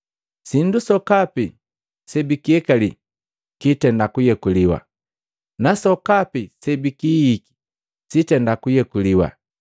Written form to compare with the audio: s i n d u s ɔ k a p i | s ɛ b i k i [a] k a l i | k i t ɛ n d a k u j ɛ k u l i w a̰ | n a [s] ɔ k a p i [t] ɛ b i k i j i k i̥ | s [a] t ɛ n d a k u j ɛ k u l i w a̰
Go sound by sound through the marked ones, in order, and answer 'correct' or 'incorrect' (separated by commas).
incorrect, correct, incorrect, incorrect